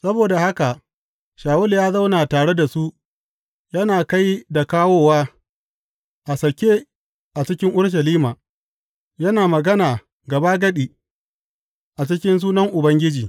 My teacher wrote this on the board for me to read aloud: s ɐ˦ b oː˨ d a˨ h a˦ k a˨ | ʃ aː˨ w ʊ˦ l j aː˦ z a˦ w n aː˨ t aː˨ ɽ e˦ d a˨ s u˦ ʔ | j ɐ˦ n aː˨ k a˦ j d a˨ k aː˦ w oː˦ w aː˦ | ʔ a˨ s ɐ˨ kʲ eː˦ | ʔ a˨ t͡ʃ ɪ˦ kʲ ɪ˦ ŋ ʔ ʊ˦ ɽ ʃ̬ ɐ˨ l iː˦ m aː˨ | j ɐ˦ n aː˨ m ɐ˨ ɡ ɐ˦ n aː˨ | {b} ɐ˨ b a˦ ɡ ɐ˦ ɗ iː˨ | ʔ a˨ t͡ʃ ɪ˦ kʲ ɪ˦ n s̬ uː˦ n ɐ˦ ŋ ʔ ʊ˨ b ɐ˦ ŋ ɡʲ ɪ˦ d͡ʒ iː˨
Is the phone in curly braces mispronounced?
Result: yes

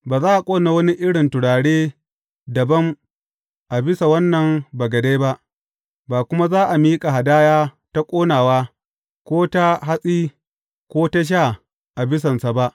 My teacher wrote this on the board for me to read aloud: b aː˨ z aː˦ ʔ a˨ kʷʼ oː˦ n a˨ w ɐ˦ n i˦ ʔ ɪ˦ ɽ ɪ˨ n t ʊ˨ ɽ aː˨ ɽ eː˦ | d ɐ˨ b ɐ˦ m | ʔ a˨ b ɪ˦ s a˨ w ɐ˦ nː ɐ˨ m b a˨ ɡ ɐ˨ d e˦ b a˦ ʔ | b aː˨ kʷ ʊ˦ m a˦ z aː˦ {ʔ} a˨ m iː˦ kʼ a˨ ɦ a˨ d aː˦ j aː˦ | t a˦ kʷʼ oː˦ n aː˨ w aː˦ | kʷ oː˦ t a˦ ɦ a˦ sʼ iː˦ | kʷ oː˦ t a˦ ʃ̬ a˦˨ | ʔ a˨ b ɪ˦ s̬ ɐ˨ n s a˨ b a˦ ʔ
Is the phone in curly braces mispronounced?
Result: no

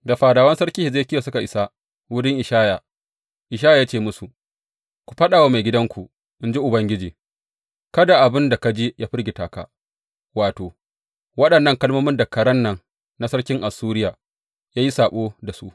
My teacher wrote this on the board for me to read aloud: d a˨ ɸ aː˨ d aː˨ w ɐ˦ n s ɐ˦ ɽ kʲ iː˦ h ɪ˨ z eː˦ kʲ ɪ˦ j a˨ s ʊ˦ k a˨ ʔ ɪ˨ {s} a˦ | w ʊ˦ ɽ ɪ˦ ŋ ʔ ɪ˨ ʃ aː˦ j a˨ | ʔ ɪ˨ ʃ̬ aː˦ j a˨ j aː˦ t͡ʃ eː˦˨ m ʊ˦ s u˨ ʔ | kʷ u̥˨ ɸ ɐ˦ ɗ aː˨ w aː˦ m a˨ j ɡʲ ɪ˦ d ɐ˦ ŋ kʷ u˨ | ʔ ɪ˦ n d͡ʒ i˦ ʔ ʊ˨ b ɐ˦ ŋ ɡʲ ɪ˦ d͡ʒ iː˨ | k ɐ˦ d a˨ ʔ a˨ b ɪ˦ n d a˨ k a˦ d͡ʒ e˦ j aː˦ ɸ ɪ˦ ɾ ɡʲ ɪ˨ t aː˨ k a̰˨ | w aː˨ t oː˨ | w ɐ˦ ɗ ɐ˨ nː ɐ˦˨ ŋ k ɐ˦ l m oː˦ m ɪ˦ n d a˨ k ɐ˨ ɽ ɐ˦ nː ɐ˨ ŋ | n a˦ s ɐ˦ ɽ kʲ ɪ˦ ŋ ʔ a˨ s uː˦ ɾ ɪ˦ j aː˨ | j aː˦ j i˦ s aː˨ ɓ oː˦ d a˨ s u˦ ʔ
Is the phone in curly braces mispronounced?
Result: no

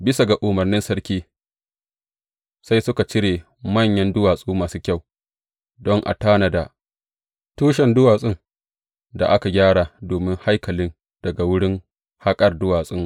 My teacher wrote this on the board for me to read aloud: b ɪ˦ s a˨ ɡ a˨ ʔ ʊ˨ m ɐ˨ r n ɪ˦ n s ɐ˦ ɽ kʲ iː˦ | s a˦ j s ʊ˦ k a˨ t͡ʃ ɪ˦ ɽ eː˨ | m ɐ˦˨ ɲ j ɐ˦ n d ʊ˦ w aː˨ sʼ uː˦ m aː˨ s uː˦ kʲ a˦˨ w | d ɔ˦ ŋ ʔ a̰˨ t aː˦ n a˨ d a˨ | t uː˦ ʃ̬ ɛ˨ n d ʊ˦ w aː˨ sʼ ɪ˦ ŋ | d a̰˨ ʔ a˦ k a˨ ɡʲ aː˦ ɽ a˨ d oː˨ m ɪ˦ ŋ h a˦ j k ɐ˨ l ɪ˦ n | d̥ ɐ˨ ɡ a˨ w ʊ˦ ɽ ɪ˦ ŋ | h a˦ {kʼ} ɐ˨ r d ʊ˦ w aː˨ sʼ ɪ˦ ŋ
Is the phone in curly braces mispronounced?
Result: no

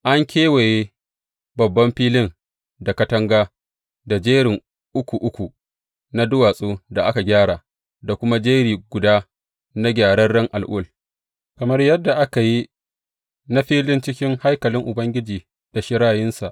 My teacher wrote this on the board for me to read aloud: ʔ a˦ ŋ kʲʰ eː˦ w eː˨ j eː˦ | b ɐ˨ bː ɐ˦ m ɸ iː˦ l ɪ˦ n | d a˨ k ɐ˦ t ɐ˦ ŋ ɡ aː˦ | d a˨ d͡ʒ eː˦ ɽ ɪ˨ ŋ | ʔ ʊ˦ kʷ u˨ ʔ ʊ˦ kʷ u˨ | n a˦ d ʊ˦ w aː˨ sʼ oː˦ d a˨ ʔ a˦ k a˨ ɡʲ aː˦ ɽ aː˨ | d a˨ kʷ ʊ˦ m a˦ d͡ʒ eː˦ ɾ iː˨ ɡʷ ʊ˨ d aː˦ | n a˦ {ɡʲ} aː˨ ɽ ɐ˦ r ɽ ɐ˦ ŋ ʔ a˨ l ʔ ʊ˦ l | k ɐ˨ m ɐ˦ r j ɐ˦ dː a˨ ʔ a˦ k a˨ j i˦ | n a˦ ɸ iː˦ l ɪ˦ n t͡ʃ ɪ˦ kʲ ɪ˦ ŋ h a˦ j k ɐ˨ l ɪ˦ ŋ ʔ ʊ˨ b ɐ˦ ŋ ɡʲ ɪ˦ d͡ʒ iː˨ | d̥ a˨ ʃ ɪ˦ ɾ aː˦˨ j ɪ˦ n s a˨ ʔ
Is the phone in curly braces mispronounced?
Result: no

